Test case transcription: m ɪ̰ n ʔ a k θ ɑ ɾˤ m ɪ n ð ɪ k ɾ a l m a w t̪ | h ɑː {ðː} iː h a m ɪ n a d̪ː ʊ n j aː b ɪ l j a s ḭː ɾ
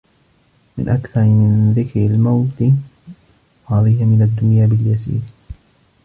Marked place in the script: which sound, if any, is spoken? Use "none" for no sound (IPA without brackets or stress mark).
ð